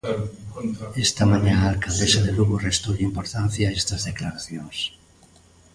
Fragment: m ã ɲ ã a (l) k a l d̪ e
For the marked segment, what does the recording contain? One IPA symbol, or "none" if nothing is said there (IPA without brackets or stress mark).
l